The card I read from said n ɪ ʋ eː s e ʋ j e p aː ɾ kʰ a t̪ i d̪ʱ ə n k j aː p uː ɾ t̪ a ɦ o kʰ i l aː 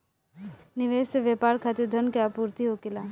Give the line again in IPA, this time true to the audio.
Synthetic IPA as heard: n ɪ ʋ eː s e ʋ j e p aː ɾ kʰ a t̪ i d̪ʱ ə n k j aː p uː ɾ t̪ i ɦ o k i l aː